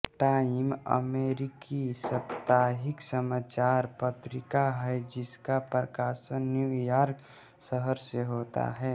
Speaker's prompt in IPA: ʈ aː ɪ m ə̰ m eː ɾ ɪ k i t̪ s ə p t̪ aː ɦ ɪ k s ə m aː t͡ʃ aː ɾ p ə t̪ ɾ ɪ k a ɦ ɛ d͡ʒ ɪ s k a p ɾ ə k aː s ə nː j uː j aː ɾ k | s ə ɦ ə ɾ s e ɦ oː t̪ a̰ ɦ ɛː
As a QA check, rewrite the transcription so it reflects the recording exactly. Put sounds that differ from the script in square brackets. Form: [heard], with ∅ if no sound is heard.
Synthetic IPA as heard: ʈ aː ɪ m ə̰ m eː ɾ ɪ k i [∅] s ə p t̪ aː ɦ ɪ k s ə m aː t͡ʃ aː ɾ p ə t̪ ɾ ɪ k a ɦ ɛ d͡ʒ ɪ s k a p ɾ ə k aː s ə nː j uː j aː ɾ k | s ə ɦ ə ɾ s e ɦ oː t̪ a̰ ɦ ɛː